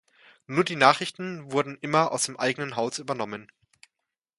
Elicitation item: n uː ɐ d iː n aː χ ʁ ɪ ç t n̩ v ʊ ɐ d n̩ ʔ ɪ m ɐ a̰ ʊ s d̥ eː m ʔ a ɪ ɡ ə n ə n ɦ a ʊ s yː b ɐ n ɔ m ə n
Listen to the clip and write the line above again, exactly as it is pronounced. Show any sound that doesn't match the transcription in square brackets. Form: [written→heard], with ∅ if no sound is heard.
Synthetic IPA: n uː ɐ d iː n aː χ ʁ ɪ ç t n̩ v ʊ ɐ d n̩ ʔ ɪ m ɐ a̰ ʊ s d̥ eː m ʔ a ɪ ɡ ə n ə n ɦ a ʊ s yː b ɐ n ɔ m ə n